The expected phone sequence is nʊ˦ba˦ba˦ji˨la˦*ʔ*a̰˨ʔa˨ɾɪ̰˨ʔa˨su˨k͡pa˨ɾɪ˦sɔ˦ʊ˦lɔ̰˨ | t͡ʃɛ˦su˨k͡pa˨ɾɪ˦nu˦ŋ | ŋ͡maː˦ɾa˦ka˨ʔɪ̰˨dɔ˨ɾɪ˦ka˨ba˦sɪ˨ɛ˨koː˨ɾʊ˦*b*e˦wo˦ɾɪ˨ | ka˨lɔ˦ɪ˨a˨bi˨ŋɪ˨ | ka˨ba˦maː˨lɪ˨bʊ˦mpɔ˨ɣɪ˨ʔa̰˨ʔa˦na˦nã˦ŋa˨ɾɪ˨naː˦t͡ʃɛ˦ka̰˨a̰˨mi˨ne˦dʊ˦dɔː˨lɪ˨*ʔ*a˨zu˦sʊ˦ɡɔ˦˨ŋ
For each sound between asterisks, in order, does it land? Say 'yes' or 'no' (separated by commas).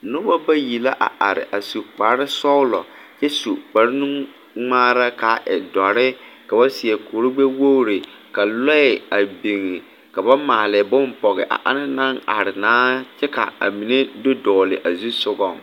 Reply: yes, no, yes